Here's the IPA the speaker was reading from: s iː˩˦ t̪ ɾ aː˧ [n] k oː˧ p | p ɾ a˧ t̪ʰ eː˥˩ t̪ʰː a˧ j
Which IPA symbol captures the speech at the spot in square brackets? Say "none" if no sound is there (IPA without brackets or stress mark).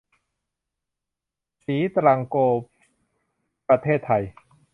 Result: ŋ